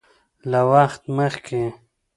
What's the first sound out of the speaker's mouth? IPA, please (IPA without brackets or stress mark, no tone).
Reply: l